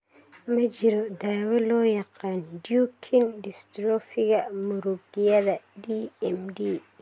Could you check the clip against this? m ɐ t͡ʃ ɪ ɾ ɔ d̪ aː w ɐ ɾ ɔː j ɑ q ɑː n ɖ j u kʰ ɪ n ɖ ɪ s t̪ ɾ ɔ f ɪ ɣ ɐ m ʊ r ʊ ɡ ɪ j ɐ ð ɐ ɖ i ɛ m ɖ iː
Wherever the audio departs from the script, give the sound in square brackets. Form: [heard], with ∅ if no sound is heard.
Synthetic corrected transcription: m ɐ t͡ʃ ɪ ɾ ɔ d̪ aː w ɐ [l] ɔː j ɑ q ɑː n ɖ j u kʰ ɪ n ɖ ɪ s t̪ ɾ ɔ f ɪ ɣ ɐ m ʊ [ɾ] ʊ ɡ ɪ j ɐ ð ɐ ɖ i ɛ m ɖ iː